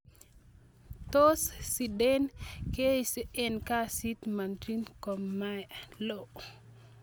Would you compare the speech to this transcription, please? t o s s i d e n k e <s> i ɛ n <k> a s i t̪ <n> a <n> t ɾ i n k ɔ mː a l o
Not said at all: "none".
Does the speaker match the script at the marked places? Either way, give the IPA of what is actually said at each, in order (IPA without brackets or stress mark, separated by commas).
s, k, m, n